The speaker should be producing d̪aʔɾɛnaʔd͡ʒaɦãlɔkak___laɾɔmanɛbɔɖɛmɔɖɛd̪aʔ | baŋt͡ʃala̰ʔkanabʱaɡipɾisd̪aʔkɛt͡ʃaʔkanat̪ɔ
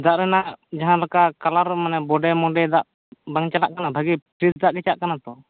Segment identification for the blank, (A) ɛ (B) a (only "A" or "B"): B